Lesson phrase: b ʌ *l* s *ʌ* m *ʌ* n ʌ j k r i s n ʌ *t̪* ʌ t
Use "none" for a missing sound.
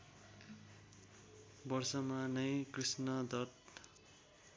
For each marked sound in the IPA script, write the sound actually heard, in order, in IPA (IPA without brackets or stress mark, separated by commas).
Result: r, ʌ, a, d̪